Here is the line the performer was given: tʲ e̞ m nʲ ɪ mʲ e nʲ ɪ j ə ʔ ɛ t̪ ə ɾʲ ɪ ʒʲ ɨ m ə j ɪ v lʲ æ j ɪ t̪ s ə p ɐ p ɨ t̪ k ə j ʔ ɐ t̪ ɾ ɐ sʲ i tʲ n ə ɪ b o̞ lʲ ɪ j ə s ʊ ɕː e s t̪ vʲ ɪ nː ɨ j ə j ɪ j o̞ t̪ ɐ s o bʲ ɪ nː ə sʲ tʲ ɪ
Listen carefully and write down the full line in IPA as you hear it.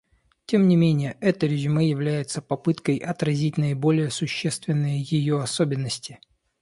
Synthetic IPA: tʲ e̞ m nʲ ɪ mʲ e nʲ ɪ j ə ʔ ɛ t̪ ə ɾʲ ɪ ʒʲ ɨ m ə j ɪ v lʲ æ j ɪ t̪ s ə p ɐ p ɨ t̪ k ə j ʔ ɐ t̪ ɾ ɐ zʲ i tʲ n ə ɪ b o̞ lʲ ɪ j ə s ʊ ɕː e s t̪ vʲ ɪ nː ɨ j ə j ɪ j o̞ ɐ s o bʲ ɪ nː ə sʲ tʲ ɪ